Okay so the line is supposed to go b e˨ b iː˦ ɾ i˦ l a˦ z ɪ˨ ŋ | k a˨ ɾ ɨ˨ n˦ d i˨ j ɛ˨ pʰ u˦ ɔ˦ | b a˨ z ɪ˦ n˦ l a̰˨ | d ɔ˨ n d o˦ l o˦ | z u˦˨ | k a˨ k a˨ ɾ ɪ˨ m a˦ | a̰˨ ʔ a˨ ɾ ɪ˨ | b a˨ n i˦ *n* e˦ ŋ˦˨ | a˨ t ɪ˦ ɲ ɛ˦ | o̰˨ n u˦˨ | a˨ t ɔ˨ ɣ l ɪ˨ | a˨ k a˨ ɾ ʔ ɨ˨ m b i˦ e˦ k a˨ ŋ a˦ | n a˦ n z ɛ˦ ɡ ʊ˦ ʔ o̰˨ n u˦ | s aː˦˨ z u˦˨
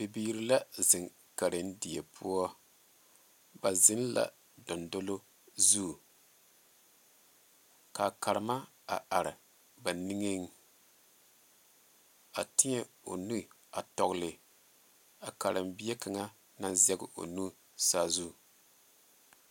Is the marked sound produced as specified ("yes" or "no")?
no